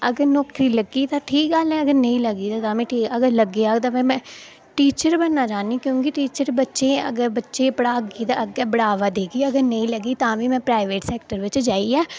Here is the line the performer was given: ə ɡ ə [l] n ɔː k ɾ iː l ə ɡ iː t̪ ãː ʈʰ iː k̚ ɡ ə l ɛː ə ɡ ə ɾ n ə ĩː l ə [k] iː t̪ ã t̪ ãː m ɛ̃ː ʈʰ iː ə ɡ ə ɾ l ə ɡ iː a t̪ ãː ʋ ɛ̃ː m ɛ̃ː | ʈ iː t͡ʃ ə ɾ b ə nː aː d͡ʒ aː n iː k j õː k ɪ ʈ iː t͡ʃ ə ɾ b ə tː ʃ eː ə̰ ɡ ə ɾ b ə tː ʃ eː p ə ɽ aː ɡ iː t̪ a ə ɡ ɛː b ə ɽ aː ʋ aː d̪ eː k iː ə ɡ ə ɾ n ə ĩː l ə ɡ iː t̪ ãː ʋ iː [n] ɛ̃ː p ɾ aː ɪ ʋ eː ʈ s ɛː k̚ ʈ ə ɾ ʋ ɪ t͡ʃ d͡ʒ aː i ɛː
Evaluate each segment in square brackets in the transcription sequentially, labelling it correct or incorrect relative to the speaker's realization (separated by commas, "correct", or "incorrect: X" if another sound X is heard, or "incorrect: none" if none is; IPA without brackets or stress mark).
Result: incorrect: ɾ, incorrect: ɡ, incorrect: m